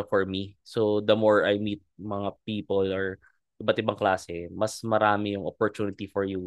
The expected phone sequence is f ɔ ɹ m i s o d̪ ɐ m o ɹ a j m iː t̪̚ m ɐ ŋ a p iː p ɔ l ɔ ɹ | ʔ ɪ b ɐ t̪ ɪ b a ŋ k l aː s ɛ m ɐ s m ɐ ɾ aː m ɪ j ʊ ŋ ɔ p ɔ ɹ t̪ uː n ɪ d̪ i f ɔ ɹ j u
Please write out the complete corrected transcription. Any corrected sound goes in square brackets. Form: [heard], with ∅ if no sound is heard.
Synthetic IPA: f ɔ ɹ m i s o d̪ ɐ m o ɹ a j m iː t̪̚ m ɐ ŋ a p iː p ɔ l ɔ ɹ | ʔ ɪ b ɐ t̪ ɪ b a ŋ k l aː s ɛ m ɐ s m ɐ ɾ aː m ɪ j ʊ ŋ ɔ p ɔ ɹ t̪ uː n ɪ [t̪] i f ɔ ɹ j u